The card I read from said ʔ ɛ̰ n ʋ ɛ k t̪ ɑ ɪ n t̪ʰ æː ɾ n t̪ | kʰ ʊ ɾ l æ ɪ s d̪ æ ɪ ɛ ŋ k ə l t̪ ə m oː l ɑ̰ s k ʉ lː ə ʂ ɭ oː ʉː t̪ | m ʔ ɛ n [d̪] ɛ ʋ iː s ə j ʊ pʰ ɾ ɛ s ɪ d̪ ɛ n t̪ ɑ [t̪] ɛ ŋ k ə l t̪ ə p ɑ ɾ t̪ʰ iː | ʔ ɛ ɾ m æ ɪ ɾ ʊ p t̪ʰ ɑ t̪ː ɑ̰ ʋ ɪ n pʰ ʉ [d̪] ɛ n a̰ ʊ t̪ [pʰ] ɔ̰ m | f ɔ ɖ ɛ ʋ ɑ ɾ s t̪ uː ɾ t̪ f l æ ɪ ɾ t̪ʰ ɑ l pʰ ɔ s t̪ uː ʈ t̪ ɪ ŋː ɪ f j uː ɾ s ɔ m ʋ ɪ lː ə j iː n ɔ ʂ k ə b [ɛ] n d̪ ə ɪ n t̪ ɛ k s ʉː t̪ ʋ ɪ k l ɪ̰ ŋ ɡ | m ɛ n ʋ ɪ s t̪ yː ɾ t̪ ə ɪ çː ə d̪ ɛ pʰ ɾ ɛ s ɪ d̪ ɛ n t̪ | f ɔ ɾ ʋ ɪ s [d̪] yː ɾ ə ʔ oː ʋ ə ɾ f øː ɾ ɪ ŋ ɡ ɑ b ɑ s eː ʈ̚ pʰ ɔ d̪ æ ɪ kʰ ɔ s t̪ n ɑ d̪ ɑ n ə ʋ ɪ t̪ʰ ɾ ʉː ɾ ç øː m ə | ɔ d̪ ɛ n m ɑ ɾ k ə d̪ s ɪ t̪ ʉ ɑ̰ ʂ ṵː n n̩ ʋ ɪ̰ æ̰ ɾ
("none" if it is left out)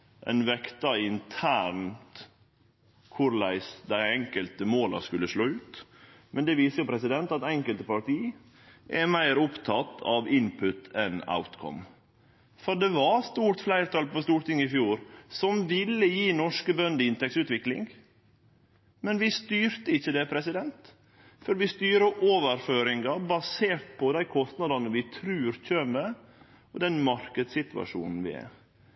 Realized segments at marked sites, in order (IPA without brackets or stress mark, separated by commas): d̪, t̪, t̪, kʰ, œ, t̪